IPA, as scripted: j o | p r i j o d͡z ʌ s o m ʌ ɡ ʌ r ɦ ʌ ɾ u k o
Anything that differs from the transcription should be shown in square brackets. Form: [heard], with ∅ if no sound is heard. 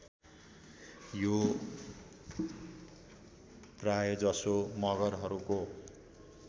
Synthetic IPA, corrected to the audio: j o | p r [a] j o d͡z ʌ s o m ʌ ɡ ʌ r ɦ ʌ ɾ u k o